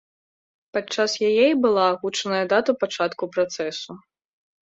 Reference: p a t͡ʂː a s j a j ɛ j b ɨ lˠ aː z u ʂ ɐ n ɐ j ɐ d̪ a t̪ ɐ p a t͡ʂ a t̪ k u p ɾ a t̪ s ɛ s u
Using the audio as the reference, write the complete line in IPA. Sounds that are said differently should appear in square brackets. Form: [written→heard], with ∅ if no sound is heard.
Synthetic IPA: p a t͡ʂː a s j a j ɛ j b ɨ lˠ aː [z→ɣ] u [ʂ→t͡ʂ] ɐ n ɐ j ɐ d̪ a t̪ ɐ p a t͡ʂ a t̪ k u p ɾ a t̪ s ɛ s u